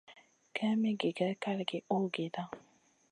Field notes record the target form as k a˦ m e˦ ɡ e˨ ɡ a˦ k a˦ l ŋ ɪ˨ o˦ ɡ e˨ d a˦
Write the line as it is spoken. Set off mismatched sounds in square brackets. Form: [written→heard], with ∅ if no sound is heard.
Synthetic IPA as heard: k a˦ m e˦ ɡ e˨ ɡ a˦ k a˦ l [ŋ→ɡ] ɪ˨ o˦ ɡ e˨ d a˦